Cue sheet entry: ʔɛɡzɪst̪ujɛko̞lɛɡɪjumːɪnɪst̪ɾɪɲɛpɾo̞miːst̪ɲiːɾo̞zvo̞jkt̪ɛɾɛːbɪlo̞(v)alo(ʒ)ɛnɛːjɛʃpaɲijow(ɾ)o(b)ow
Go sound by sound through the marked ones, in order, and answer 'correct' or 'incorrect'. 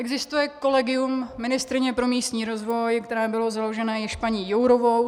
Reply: incorrect: z, correct, correct, incorrect: v

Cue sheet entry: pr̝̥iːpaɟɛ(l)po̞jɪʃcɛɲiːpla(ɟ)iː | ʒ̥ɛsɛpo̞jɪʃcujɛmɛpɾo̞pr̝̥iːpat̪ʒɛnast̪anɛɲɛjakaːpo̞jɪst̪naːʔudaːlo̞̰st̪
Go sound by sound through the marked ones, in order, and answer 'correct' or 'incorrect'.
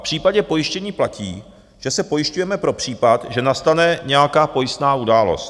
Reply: incorrect: none, incorrect: c

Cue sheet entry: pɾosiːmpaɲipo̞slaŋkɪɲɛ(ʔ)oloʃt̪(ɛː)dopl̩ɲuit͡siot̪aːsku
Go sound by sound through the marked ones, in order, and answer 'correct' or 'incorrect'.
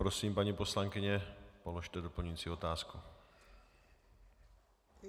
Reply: incorrect: p, incorrect: ɛ

